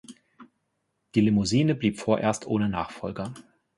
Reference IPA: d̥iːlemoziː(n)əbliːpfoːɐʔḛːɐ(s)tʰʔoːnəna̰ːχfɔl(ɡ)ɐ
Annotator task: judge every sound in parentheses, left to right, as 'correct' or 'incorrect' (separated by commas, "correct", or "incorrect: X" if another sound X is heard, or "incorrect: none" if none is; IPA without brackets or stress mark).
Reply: correct, correct, correct